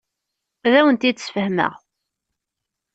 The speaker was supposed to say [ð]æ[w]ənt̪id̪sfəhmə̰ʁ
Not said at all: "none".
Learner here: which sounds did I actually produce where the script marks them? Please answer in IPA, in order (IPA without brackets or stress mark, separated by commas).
ð, w